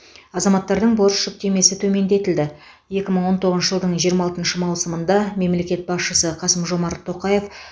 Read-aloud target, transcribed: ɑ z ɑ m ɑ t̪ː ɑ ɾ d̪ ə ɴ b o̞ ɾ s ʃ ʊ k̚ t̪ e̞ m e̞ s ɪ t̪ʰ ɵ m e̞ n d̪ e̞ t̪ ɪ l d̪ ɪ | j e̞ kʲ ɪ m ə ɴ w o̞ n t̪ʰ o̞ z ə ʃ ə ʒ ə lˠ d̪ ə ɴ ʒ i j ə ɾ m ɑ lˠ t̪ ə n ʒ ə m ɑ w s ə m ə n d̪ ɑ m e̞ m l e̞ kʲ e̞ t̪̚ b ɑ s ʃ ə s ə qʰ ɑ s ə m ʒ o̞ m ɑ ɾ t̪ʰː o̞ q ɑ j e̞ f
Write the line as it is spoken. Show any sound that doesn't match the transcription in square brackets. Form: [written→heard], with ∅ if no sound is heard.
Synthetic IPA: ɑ z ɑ m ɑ t̪ː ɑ ɾ d̪ ə ɴ b o̞ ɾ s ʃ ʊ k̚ t̪ e̞ m e̞ s ɪ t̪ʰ ɵ m e̞ n d̪ e̞ t̪ ɪ l d̪ ɪ | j e̞ kʲ ɪ m ə ɴ w o̞ n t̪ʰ o̞ [z→ʁ] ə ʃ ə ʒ ə lˠ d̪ ə ɴ ʒ i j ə ɾ m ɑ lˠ t̪ ə n [ʒ→ʃ] ə m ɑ w s ə m ə n d̪ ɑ m e̞ m l e̞ kʲ e̞ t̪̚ b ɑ s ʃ ə s ə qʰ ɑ s ə m ʒ o̞ m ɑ ɾ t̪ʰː o̞ q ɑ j e̞ f